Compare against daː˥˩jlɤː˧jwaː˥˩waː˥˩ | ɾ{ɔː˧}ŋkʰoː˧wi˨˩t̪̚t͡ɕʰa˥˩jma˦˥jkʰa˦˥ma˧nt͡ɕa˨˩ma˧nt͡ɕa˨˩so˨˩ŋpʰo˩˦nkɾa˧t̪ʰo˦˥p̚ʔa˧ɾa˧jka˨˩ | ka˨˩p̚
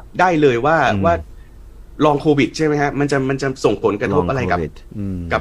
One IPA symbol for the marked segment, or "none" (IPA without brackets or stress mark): ɔː˧